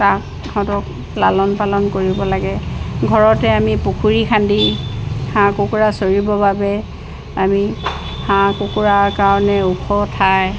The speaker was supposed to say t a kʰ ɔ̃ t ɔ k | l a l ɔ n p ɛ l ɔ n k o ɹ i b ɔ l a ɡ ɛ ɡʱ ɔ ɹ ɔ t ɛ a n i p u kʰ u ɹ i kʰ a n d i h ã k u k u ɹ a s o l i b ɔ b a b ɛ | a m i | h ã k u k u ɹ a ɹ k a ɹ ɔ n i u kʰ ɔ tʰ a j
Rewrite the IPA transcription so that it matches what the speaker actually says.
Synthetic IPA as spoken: t a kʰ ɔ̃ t ɔ k | l a l ɔ n p a l ɔ n k o ɹ i b ɔ l a ɡ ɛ ɡʱ ɔ ɹ ɔ t ɛ a m i p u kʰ u ɹ i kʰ a n d i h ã k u k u ɹ a s o ɹ i b ɔ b a b ɛ | a m i | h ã k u k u ɹ a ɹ k a ɹ ɔ n ɛ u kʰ ɔ tʰ a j